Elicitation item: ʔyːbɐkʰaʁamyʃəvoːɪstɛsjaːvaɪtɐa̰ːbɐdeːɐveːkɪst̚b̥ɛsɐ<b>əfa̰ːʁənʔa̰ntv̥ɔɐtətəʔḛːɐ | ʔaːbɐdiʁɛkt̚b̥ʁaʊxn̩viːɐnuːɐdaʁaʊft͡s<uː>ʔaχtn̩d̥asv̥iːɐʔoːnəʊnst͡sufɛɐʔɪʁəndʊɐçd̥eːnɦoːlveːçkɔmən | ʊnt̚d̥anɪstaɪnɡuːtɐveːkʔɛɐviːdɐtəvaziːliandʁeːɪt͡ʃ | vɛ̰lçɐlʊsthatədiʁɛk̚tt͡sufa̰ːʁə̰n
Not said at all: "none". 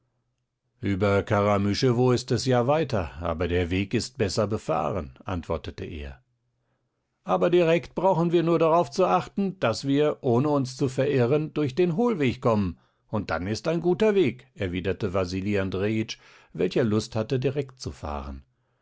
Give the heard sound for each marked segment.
b, u

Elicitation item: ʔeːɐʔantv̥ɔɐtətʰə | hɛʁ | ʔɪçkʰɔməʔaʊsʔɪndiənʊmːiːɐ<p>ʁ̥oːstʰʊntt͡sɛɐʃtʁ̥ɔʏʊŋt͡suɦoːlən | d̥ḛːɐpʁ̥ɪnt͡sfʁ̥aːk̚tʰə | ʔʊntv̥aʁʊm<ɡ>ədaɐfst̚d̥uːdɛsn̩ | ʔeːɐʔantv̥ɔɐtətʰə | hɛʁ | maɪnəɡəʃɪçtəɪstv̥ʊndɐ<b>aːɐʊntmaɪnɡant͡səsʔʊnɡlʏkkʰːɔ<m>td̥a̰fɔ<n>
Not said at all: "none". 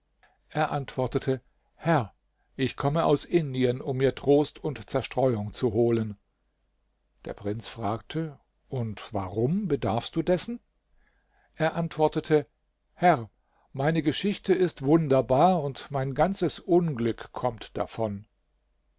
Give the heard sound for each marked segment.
t, b, b, m, n

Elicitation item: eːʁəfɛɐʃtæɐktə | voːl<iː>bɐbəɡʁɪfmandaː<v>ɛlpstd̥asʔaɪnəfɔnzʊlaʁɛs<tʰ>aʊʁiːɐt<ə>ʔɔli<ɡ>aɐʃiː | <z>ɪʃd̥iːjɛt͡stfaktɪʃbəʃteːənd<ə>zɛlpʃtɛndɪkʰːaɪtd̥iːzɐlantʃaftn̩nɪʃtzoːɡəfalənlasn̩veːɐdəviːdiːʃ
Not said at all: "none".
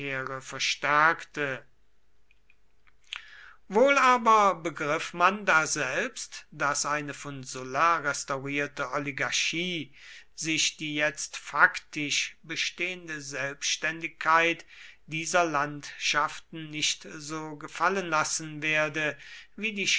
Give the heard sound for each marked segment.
aː, z, t, ə, ɡ, z, ə

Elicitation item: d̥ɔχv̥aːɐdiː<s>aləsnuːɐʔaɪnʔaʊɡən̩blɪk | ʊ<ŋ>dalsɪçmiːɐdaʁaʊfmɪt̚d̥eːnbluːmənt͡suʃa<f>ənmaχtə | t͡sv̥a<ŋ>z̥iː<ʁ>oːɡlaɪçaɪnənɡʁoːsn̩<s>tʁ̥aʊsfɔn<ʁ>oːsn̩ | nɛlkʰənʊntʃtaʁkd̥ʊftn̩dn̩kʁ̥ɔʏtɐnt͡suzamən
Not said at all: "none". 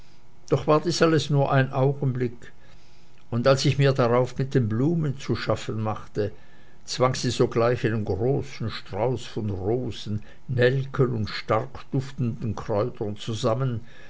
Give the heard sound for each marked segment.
s, n, f, ŋ, z, ʃ, ʁ

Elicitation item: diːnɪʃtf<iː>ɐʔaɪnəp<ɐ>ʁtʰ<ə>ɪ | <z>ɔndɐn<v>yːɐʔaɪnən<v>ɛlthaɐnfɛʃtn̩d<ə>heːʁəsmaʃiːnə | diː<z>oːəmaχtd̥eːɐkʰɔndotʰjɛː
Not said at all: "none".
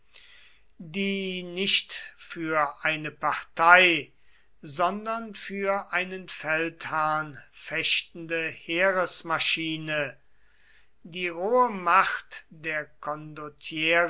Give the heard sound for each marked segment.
yː, a, a, z, f, f, ə, ʁ

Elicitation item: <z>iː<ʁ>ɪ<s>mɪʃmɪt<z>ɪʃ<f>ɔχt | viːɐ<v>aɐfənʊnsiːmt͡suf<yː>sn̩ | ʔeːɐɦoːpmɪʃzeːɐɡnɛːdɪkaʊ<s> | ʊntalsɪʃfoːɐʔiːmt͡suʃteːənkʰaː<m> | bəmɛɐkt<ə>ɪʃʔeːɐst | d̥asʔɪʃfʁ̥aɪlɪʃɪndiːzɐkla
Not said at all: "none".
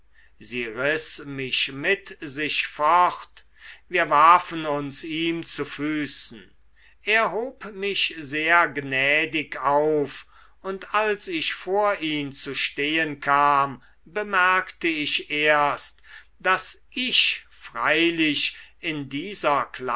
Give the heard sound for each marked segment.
z, ʁ, s, z, f, v, yː, f, m, ə

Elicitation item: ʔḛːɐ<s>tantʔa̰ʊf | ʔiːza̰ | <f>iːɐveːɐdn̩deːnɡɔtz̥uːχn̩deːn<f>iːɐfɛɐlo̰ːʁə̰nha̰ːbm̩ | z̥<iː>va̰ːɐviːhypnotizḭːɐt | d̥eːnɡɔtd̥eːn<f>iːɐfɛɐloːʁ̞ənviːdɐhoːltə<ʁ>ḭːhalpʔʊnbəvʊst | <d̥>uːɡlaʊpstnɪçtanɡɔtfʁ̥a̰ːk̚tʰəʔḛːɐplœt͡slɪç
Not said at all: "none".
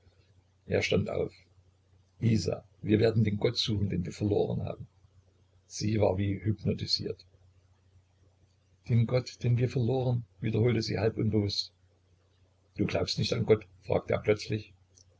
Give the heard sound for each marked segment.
ʃ, v, v, iː, v, z, d̥

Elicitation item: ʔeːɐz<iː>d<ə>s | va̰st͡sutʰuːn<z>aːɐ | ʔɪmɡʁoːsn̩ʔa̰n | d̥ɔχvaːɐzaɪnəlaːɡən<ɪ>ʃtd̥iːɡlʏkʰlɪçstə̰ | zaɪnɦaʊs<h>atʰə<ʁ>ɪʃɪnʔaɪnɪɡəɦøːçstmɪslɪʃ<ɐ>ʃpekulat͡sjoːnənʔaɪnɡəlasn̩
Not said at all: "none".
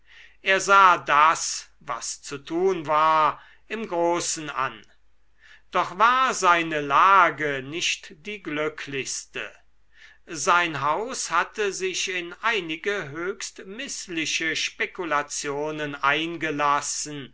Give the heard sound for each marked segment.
aː, a, v, ɪ, h, z, ə

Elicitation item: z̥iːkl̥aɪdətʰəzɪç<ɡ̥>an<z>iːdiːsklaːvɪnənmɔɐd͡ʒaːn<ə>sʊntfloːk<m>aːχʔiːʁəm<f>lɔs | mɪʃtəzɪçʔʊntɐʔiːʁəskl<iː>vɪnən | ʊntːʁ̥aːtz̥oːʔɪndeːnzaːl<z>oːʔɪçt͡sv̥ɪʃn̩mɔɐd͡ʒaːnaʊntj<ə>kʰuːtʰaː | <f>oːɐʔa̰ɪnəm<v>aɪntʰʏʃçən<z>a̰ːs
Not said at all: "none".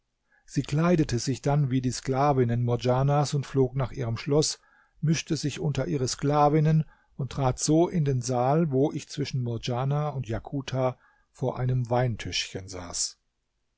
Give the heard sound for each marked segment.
d̥, v, a, n, ʃ, aː, v, a, f, v, z

